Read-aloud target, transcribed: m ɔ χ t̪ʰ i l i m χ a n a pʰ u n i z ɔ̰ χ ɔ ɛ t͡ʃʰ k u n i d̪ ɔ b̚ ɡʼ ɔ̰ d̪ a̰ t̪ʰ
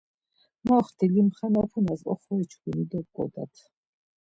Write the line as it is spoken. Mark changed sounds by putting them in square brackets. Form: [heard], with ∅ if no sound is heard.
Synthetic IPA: m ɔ χ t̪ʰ i l i m χ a n a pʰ u n [a] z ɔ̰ χ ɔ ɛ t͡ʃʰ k u n i d̪ ɔ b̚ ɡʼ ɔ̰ d̪ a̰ t̪ʰ